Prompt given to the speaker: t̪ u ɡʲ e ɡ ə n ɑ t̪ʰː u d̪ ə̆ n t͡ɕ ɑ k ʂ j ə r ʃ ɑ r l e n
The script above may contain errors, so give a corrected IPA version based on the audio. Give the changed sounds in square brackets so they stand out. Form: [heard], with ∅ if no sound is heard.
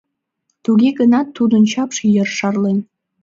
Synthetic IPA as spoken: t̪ u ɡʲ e ɡ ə n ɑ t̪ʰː u d̪ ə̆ n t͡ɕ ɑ [p] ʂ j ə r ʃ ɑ r l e n